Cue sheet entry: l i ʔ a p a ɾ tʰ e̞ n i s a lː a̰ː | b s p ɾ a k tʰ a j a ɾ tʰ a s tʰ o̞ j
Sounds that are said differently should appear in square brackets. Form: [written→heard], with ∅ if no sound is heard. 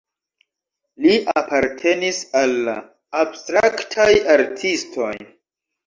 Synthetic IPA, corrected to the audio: l i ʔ a p a ɾ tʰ e̞ n i s a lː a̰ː | b s [p→t] ɾ a k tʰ a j a ɾ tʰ [a→i] s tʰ o̞ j